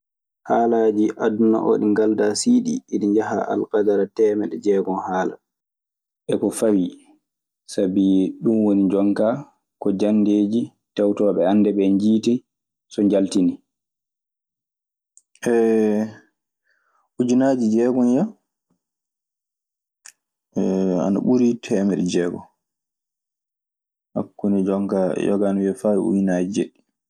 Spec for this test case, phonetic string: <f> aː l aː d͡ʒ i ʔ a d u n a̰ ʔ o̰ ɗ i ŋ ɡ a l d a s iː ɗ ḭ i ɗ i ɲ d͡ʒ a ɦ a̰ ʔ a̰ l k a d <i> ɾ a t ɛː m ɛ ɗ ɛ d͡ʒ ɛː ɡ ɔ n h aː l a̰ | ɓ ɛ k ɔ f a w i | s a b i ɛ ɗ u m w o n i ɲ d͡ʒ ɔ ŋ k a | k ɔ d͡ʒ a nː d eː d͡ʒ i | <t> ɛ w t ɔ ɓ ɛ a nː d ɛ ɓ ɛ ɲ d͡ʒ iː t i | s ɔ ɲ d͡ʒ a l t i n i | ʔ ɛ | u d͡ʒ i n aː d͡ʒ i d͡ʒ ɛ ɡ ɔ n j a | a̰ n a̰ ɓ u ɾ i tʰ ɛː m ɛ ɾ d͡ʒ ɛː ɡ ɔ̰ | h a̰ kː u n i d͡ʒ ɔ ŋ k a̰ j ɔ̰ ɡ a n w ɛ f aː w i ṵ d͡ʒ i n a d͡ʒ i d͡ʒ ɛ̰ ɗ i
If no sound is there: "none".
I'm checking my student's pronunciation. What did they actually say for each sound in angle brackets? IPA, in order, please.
h, a, t

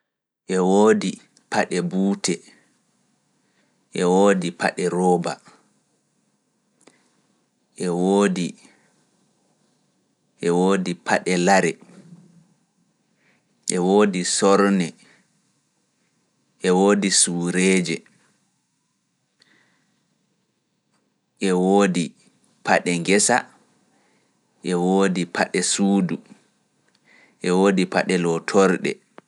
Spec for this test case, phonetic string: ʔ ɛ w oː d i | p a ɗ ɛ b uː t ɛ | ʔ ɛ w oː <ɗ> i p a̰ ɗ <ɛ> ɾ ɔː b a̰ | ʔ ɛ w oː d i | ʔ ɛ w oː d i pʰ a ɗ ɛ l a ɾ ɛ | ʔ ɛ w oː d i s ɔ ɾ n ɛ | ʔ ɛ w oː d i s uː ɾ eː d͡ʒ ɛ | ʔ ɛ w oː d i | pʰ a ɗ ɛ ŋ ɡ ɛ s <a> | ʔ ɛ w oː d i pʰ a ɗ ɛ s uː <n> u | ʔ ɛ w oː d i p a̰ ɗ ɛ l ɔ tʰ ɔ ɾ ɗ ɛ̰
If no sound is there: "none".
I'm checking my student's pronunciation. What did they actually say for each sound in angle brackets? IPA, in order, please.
d, ɛ, a, d

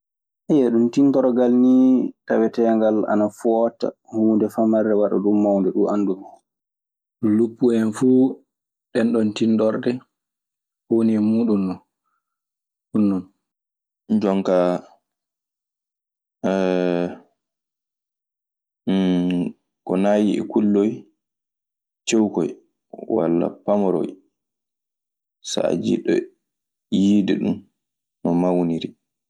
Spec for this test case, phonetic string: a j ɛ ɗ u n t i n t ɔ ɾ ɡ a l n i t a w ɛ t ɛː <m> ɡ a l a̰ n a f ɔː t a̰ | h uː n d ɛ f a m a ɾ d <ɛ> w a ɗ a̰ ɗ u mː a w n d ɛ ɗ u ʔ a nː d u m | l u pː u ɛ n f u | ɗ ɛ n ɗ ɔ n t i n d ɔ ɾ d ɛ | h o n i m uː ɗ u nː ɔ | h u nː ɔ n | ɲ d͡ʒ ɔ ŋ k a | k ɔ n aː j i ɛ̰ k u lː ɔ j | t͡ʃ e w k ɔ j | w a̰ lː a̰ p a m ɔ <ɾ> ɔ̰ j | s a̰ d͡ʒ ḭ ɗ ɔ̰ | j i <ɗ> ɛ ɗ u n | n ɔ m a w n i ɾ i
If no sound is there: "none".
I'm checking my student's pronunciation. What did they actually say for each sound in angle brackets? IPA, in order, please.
ŋ, ɛ, ɾ, d

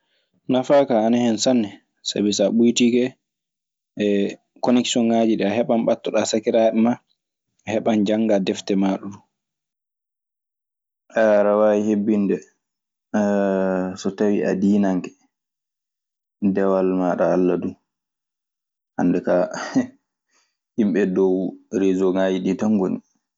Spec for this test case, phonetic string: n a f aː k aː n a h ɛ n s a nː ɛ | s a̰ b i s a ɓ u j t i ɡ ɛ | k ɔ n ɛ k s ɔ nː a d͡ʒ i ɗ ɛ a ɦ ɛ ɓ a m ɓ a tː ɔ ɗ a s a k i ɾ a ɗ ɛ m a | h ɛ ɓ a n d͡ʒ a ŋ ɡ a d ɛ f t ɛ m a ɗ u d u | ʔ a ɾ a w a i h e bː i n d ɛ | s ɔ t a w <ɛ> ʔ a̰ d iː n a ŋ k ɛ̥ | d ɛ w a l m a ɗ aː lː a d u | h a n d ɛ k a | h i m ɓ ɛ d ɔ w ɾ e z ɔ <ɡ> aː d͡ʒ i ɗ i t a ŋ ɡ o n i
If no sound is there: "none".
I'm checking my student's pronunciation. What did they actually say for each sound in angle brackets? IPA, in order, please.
i, ŋ

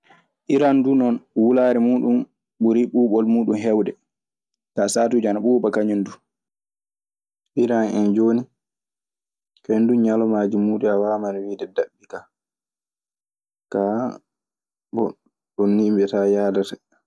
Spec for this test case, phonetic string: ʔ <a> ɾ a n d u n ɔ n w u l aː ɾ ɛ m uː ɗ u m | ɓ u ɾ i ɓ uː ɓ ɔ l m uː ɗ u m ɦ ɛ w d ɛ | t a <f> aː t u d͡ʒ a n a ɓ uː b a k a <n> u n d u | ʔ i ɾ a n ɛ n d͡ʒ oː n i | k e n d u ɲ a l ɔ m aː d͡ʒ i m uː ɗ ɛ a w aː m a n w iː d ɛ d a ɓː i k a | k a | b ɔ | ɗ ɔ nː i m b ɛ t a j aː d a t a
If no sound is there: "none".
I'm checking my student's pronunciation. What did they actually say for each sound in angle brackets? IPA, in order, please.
i, s, ɲ

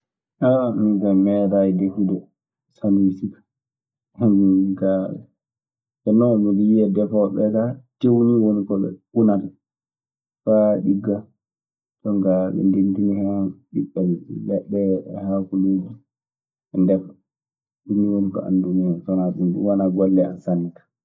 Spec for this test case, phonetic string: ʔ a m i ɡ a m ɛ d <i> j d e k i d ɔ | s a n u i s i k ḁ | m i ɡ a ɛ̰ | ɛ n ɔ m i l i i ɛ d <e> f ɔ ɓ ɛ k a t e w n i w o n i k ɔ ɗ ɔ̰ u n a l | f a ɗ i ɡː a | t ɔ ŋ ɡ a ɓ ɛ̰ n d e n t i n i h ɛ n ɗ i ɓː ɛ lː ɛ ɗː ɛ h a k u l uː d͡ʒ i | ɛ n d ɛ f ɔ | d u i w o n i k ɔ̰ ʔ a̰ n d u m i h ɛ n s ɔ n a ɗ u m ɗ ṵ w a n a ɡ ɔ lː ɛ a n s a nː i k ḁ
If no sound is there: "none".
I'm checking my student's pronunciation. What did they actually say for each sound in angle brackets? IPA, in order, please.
a, ɛ

